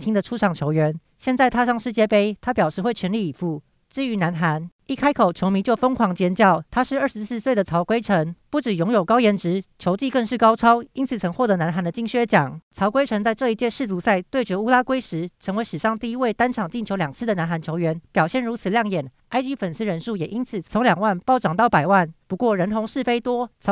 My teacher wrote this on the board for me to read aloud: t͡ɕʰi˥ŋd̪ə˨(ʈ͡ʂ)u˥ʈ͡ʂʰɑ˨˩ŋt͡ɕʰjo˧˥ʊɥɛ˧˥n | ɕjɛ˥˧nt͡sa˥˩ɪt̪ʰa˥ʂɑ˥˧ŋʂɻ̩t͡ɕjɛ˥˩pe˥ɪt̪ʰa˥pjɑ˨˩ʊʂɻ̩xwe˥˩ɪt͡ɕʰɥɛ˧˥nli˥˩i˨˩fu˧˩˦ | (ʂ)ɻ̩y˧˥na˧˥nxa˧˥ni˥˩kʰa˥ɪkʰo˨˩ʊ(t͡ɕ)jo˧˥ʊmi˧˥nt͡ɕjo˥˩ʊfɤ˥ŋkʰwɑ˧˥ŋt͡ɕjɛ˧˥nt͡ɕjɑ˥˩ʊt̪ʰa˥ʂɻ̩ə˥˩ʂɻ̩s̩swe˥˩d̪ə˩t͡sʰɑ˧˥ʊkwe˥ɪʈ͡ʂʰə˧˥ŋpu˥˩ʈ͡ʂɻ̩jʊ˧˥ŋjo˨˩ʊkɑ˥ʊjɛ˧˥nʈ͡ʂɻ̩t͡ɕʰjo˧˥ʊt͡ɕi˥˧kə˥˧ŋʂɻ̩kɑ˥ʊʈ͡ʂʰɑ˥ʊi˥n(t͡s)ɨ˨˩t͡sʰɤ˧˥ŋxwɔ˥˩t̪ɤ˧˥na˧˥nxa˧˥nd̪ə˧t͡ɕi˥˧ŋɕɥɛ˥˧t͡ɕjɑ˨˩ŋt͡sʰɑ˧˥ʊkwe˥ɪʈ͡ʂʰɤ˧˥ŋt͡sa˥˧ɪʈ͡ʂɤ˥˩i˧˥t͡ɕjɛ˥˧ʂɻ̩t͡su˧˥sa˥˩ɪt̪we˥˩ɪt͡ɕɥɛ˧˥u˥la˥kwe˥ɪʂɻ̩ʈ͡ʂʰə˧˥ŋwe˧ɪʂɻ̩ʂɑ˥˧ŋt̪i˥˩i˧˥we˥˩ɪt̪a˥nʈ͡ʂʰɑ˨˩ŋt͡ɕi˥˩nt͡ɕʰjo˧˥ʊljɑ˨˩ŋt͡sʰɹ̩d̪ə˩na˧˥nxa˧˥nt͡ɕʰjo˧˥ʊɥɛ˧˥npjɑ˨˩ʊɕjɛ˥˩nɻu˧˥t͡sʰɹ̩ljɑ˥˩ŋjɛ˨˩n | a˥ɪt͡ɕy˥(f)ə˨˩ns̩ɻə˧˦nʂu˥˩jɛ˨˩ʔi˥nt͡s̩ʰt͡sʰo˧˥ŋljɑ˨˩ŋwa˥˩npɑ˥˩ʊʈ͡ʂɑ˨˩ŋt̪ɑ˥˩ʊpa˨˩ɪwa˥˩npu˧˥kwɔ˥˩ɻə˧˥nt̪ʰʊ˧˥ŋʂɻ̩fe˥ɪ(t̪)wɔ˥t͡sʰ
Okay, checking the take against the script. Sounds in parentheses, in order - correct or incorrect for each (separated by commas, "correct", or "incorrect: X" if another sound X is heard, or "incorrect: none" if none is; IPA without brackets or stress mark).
incorrect: ʈ͡ʂʰ, incorrect: ʈ͡ʂ, incorrect: t͡ɕʰ, incorrect: t͡sʰ, correct, correct